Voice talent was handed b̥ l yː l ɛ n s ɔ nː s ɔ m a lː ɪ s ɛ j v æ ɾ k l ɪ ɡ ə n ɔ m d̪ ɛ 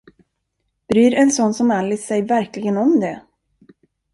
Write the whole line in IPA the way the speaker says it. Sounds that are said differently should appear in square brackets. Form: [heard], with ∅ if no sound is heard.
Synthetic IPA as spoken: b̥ [ɾ] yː [ɾ] ɛ n s ɔ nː s ɔ m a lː ɪ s ɛ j v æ ɾ k l ɪ ɡ ə n ɔ m d̪ ɛ